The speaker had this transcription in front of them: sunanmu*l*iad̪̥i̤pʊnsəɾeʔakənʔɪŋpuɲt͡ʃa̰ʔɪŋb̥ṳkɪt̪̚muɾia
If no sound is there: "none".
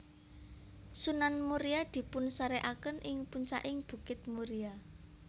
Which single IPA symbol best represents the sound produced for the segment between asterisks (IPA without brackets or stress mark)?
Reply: ɾ